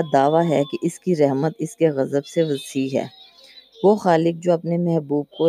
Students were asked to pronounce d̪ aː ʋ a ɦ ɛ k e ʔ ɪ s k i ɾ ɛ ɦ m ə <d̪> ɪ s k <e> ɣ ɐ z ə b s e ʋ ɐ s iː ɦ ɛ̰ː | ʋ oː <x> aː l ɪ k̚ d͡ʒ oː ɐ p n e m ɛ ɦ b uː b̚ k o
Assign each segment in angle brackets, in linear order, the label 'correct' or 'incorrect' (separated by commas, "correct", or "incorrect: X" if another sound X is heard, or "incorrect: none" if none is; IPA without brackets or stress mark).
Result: incorrect: t̪, correct, correct